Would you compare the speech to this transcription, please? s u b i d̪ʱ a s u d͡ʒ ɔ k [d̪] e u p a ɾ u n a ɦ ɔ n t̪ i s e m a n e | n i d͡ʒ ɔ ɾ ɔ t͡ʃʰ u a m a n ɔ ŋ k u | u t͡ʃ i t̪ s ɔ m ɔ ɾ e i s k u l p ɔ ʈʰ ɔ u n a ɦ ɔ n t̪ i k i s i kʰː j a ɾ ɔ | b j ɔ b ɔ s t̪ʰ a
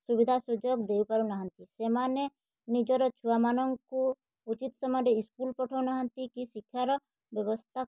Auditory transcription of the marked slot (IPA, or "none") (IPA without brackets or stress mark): d̪